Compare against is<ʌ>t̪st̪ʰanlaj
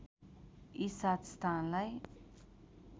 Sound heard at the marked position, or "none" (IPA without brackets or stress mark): a